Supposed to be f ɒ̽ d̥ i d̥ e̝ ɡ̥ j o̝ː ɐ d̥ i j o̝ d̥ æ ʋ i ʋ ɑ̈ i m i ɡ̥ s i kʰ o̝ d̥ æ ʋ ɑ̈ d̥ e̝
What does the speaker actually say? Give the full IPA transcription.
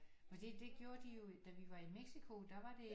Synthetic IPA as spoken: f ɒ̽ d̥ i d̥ e̝ ɡ̥ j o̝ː ɐ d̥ i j o̝ d̥ æ ʋ i ʋ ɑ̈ i m e ɡ̥ s i kʰ o̝ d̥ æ ʋ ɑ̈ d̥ e̝